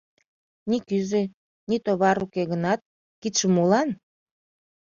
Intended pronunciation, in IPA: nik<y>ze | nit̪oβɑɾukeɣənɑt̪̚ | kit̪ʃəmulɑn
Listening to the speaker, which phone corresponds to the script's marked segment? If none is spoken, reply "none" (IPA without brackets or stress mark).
y